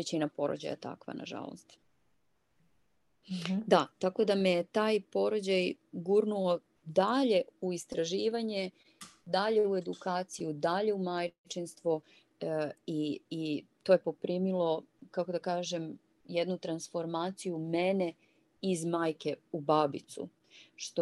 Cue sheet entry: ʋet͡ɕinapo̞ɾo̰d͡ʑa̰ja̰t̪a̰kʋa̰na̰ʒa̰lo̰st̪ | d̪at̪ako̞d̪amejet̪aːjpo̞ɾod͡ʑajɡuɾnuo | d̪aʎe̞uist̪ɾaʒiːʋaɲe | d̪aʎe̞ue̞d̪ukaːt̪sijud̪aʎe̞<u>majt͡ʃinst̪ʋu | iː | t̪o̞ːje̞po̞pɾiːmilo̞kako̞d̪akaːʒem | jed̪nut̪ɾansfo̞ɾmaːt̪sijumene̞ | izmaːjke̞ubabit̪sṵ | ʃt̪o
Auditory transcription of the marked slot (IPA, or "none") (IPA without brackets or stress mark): u